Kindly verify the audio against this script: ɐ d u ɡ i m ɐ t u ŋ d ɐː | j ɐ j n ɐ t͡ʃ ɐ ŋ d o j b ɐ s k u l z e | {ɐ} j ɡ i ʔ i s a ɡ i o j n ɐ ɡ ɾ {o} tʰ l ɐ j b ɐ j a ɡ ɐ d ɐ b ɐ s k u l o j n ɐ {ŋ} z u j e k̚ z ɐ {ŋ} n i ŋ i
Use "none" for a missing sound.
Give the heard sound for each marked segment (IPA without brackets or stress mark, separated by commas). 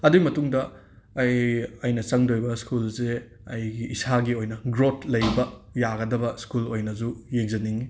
ɐ, o, none, none